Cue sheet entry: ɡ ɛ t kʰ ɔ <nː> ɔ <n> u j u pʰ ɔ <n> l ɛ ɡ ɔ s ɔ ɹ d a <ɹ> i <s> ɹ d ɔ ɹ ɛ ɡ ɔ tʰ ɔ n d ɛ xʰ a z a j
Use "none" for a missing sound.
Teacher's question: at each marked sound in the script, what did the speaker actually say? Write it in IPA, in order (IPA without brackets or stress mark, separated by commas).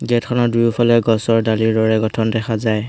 n, d, none, l, none